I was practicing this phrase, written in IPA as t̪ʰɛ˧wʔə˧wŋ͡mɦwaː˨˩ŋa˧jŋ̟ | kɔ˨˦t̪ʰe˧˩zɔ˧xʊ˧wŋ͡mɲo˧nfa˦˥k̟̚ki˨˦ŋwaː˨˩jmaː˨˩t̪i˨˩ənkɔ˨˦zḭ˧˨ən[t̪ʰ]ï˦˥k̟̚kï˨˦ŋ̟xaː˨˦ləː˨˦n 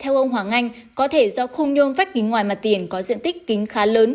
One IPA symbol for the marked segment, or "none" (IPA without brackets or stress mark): t̪